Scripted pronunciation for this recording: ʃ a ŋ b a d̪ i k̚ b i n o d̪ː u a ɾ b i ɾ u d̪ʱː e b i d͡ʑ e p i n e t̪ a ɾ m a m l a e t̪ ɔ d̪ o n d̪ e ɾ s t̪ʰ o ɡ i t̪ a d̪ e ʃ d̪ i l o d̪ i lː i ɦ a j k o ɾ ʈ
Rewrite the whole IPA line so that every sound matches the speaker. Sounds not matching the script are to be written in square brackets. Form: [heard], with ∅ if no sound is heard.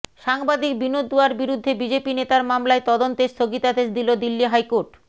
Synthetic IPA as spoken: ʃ a ŋ b a d̪ i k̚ b i n o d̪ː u a ɾ b i ɾ u d̪ʱː e b i d͡ʑ e p i n e t̪ a ɾ m a m l a e t̪ ɔ d̪ o n [t̪] e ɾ s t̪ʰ o ɡ i t̪ a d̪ e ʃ d̪ i l o d̪ i lː i ɦ a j k o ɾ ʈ